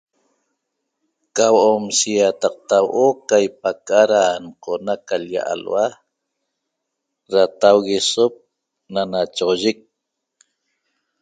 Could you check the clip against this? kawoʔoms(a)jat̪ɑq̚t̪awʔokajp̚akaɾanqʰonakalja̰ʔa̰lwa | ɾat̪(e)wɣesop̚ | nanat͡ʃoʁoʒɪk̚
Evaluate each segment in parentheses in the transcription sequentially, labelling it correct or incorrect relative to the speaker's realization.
incorrect: i, incorrect: a

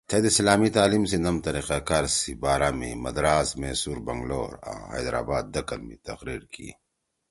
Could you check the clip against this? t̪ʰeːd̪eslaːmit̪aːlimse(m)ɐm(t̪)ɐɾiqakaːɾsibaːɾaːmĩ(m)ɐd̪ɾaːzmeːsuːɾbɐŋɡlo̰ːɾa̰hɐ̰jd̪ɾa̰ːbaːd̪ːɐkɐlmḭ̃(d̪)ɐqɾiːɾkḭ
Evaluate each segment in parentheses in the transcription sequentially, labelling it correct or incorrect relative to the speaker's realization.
incorrect: n, correct, correct, incorrect: t̪

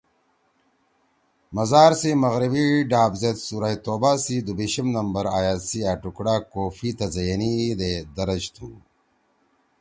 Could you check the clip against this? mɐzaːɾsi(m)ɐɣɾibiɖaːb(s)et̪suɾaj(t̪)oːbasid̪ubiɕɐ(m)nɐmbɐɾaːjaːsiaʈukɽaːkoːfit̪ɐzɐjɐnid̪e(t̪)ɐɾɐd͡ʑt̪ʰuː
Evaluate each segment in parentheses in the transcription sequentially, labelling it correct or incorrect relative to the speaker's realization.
correct, incorrect: z, correct, correct, incorrect: d̪

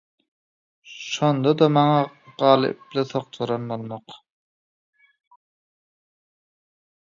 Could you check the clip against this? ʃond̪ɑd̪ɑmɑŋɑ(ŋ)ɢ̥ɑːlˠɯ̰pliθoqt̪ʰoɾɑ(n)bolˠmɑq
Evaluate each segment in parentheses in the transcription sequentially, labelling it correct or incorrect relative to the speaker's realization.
incorrect: none, correct

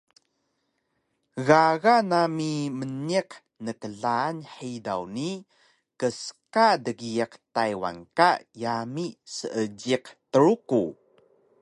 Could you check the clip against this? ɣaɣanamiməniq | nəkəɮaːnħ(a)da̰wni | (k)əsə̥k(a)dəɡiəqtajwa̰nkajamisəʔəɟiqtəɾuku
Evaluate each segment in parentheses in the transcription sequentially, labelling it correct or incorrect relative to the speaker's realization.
incorrect: i, correct, correct

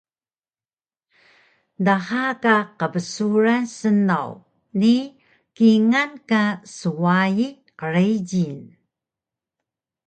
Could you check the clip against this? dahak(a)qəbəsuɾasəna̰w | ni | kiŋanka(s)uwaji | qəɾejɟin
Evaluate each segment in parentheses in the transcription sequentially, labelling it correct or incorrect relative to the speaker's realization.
correct, correct

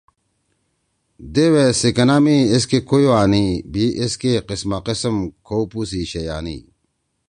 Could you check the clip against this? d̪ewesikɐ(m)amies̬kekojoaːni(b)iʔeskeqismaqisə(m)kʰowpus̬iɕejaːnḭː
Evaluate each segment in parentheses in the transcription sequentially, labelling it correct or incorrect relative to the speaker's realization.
incorrect: n, correct, correct

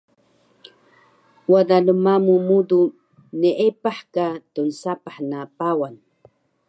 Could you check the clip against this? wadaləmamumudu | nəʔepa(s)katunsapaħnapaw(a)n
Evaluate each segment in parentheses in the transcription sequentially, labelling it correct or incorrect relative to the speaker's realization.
incorrect: ħ, correct

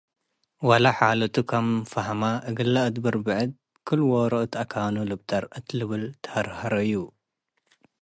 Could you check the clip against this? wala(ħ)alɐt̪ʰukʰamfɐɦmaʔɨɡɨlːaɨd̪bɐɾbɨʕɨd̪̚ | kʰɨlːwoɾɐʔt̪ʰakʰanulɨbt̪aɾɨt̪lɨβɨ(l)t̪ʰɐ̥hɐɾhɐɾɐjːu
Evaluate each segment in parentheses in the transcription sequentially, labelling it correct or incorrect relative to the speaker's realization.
correct, correct

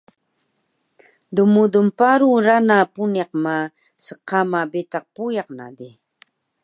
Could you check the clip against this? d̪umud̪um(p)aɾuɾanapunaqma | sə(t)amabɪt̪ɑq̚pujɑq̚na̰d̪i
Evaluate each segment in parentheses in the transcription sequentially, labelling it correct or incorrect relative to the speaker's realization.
correct, incorrect: q

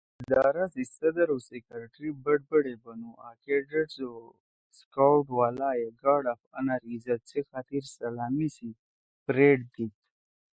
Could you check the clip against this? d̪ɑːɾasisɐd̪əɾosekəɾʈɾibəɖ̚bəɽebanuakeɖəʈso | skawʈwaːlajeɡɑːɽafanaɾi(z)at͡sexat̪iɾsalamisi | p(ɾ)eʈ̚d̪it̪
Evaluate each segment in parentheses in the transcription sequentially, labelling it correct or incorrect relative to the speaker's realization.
correct, correct

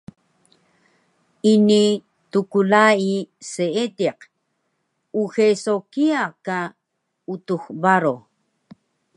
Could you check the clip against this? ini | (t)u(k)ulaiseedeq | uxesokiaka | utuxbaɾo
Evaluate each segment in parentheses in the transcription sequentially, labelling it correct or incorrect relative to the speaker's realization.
correct, correct

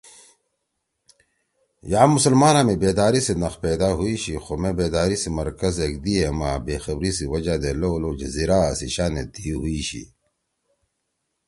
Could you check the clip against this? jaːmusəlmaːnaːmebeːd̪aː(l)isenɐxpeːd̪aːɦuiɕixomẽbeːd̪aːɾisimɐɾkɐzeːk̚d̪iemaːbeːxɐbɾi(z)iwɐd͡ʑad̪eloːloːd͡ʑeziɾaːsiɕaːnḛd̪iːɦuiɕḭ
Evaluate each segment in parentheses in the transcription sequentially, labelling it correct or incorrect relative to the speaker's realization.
incorrect: ɾ, incorrect: s

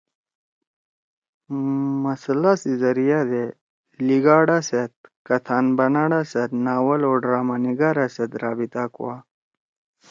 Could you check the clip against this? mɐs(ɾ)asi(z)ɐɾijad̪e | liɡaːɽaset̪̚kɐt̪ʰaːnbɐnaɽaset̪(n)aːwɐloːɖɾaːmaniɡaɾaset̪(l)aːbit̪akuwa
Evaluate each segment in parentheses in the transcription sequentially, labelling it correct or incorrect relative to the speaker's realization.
incorrect: l, correct, correct, incorrect: ɾ

